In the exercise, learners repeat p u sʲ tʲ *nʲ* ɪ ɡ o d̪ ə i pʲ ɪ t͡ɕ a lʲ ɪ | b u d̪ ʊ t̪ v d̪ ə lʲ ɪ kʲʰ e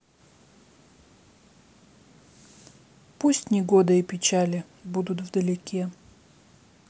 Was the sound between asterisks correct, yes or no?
yes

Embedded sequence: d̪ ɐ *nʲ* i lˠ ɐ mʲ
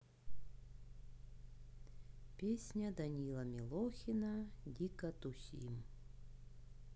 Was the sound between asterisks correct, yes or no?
yes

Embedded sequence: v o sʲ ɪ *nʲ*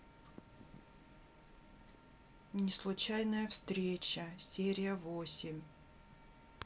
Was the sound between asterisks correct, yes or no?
no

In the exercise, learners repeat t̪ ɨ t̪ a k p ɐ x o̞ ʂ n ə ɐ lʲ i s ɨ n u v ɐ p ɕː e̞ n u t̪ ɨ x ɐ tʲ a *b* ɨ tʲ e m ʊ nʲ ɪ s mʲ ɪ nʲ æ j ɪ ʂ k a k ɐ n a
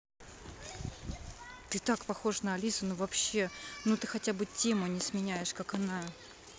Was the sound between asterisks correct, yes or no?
yes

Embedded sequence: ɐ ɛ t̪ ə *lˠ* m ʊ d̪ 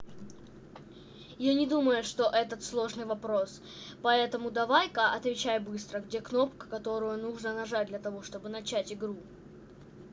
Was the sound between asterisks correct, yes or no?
no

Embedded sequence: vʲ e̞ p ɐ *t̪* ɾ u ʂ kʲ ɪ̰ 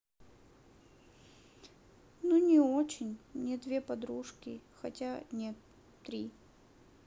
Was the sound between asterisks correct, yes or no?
no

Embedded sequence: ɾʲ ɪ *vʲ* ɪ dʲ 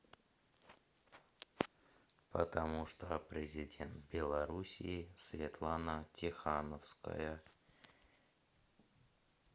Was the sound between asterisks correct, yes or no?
no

